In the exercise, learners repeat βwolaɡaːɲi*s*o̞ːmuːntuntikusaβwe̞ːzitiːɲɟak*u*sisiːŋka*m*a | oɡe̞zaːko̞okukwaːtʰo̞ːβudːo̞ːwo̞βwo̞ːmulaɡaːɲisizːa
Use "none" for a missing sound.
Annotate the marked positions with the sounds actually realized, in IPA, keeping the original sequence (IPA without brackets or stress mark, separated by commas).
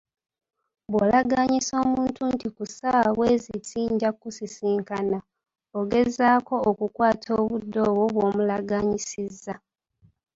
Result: s, u, n